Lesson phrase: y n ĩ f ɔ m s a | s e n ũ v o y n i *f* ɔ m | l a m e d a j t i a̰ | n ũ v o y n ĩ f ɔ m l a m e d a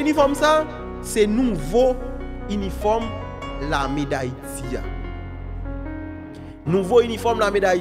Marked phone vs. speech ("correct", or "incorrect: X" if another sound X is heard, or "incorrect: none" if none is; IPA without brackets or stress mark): correct